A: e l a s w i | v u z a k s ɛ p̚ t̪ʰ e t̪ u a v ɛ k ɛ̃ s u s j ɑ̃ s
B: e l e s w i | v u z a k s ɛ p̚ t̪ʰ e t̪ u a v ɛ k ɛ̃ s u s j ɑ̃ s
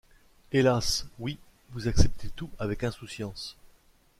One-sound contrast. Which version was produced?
A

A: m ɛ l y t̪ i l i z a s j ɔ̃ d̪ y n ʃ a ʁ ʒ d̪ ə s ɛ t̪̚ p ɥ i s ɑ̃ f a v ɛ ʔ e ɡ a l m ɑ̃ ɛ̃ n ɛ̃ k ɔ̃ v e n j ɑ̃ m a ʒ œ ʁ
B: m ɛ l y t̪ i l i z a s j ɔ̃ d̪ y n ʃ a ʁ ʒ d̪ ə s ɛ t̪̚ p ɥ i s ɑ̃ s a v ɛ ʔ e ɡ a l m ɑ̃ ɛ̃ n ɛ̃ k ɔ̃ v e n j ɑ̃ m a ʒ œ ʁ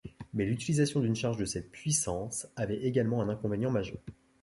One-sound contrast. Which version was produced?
B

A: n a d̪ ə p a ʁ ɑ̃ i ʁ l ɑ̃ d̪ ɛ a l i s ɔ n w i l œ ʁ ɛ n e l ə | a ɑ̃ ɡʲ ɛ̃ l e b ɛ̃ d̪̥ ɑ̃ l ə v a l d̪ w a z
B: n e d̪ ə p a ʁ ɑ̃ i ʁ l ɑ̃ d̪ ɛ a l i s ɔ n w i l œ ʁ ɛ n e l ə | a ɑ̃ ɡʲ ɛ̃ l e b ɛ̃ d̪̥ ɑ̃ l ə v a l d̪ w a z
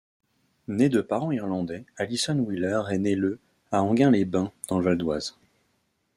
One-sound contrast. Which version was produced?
B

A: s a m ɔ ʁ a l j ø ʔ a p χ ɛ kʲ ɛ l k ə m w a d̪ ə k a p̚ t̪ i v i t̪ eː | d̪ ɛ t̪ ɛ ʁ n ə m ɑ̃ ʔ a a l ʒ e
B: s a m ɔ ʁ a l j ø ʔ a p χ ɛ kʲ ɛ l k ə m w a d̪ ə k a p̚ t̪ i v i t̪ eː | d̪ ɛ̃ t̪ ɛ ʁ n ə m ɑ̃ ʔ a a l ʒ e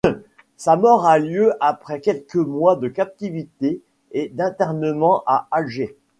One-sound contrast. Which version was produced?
B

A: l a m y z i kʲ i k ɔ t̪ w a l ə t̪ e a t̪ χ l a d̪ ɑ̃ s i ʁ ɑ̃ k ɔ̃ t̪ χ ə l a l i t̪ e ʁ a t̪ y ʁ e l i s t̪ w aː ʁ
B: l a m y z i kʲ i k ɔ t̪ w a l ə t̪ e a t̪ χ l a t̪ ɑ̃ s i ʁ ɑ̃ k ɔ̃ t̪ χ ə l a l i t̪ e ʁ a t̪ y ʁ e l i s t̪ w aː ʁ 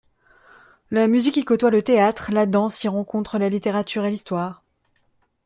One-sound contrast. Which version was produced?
A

